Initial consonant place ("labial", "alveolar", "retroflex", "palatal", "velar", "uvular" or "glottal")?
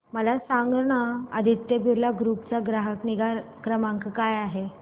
labial